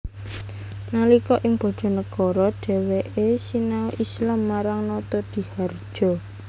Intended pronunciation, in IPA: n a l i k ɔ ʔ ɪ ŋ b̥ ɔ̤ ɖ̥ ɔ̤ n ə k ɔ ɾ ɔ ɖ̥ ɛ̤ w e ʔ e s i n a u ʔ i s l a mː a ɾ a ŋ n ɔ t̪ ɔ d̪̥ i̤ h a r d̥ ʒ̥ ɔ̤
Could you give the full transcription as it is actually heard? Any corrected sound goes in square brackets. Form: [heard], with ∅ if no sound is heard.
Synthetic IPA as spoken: n a l i k ɔ ʔ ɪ ŋ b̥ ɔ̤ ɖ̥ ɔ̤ n ə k ɔ ɾ ɔ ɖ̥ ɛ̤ w e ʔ e s i n a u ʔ i s l a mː a ɾ a ŋ n ɔ t̪ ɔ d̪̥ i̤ h a r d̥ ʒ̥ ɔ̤